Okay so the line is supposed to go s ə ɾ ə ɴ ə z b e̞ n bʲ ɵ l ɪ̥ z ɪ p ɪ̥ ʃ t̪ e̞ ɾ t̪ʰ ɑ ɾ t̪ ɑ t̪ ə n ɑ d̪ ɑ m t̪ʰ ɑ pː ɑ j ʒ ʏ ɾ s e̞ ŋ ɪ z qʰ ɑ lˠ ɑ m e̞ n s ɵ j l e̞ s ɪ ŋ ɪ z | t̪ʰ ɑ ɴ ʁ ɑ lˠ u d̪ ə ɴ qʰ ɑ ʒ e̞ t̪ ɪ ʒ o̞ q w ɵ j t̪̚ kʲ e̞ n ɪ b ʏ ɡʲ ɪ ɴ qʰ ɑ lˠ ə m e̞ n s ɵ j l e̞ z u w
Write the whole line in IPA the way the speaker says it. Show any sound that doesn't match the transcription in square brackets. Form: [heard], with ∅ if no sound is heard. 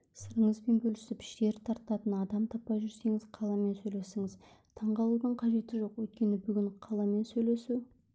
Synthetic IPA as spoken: s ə ɾ ə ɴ ə z b e̞ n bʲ ɵ l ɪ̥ [s] ɪ p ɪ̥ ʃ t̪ e̞ ɾ t̪ʰ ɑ ɾ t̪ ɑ t̪ ə n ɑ d̪ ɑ m t̪ʰ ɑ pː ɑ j ʒ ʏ ɾ s e̞ ŋ ɪ z qʰ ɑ lˠ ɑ m e̞ n s ɵ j l e̞ s ɪ ŋ ɪ z | t̪ʰ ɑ ɴ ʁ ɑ lˠ u d̪ ə ɴ qʰ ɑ ʒ e̞ t̪ ɪ ʒ o̞ q w ɵ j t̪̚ kʲ e̞ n ɪ b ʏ ɡʲ ɪ ɴ qʰ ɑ lˠ [ɑ] m e̞ n s ɵ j l e̞ [s] u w